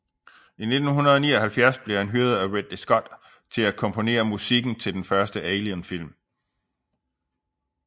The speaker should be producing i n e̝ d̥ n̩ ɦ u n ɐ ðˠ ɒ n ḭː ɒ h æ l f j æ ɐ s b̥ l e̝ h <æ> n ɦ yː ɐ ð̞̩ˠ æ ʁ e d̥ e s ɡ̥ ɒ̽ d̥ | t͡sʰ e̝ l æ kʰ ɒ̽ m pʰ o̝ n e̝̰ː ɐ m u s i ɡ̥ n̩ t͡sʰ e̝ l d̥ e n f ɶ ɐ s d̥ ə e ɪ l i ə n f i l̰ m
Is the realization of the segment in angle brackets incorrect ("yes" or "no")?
no